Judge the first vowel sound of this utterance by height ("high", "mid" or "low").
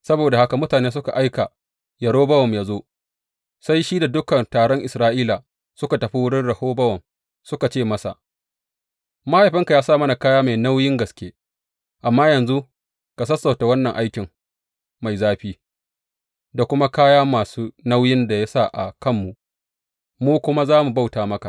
low